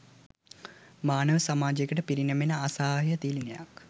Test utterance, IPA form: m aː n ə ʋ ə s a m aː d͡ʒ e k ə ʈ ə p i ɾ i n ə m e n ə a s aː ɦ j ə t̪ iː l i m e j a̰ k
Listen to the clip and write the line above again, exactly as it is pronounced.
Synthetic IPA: m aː n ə ʋ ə s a m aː d͡ʒ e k ə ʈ ə p i ɾ i n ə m e n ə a s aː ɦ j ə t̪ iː l i n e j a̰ k

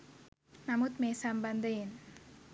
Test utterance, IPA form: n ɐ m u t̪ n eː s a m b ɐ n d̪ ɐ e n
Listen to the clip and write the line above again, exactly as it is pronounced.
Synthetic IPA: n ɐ m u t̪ m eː s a m b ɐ n d̪ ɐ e n

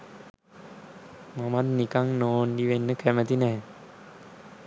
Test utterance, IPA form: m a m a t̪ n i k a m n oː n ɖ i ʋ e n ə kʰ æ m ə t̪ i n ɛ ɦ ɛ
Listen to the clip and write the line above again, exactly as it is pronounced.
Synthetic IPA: m a m a t̪ n i k a ŋ n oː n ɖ i ʋ e nː ə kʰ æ m ə t̪ i n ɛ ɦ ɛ

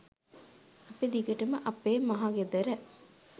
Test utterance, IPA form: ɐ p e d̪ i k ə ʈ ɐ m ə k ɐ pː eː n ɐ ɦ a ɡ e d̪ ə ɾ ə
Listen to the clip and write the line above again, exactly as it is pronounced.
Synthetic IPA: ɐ p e d̪ i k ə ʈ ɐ m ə ʔ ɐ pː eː m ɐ ɦ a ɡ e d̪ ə ɾ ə

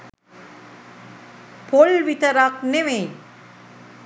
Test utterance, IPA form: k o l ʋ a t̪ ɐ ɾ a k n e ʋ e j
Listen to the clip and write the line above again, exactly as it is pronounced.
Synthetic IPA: p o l ʋ i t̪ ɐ ɾ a k n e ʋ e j

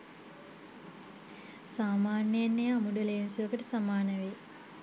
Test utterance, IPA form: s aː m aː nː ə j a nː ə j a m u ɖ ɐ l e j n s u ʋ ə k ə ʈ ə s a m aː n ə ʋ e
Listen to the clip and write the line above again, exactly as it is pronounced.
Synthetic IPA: s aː m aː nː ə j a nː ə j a m u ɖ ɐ l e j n s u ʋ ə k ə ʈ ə s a m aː n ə ʋ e

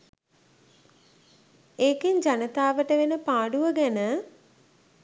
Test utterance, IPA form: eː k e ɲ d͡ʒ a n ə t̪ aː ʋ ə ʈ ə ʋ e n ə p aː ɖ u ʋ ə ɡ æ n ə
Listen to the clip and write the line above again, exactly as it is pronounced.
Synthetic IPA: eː k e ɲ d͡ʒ a n ə t̪ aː ʋ ə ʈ ə ʋ e n ə p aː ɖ u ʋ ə ɡ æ n ə

